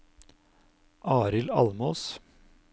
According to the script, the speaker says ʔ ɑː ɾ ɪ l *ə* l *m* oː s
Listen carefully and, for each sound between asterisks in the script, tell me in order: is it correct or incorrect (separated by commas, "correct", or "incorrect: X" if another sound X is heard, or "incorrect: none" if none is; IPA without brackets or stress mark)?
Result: incorrect: ɑ, correct